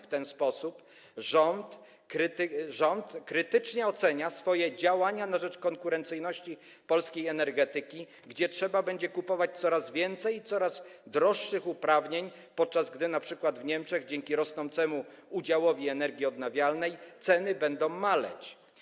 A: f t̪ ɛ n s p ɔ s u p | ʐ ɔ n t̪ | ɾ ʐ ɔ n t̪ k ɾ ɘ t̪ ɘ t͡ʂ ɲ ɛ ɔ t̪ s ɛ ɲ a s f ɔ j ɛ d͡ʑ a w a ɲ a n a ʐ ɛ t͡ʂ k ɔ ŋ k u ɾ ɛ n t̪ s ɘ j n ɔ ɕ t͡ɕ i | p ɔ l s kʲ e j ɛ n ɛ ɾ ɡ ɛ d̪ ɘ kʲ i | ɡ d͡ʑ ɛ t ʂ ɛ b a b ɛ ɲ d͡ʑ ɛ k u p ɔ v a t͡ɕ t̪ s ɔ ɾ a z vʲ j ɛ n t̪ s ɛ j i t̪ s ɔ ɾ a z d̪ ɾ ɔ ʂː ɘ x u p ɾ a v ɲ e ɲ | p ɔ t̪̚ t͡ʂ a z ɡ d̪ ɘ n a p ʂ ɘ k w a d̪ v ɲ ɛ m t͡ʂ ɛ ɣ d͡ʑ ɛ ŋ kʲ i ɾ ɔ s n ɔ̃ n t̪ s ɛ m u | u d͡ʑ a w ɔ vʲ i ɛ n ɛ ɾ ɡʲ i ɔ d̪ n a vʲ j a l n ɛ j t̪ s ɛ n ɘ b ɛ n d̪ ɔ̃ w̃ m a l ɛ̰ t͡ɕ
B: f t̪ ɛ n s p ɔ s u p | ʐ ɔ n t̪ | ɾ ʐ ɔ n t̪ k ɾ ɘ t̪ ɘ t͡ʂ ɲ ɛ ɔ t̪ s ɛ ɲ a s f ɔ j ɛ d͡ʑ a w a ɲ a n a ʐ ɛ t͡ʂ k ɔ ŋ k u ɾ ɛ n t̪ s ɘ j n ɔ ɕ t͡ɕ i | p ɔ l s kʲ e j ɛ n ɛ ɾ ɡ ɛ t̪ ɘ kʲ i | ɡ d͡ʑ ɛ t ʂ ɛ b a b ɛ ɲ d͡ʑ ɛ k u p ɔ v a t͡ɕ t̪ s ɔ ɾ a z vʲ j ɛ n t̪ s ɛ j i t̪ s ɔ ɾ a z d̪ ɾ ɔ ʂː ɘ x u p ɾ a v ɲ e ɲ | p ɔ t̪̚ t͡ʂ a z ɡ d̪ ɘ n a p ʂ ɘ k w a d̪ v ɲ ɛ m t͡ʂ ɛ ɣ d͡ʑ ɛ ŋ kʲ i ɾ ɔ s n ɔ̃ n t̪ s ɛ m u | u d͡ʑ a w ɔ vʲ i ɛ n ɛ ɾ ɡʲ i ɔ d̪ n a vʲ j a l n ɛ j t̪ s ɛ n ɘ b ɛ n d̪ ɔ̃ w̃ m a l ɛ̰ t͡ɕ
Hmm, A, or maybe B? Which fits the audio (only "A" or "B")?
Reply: B